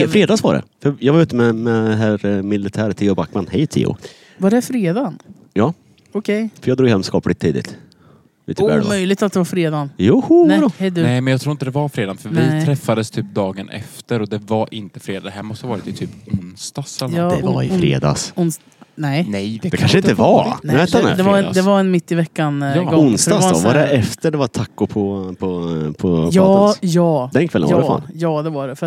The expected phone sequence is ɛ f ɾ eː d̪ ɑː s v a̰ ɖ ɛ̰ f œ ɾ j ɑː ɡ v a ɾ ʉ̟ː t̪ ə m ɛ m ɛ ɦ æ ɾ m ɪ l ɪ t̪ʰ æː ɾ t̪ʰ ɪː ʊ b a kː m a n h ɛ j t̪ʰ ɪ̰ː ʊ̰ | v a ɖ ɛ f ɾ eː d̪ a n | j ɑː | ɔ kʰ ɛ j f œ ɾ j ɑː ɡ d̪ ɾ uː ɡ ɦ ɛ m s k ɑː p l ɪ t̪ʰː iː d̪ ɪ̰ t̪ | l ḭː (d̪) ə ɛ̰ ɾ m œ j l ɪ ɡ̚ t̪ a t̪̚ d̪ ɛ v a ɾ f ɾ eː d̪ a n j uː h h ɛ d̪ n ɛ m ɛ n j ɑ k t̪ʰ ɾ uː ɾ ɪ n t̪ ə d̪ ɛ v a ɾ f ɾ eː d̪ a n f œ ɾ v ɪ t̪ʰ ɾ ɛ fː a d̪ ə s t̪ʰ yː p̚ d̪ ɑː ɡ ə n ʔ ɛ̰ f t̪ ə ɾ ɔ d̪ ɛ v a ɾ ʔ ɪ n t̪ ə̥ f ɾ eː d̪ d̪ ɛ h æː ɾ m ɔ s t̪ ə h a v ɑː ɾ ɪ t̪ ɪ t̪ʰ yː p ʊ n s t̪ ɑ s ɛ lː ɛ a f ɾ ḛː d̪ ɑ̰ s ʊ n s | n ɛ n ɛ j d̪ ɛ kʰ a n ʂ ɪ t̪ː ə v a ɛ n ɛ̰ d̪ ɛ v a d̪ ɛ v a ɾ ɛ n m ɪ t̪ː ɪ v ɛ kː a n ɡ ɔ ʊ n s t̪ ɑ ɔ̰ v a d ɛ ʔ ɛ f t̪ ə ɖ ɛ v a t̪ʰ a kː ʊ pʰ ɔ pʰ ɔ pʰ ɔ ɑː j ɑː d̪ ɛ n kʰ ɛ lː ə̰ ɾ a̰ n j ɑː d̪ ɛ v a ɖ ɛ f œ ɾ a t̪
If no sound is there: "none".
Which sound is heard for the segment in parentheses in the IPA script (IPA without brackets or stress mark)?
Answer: t̪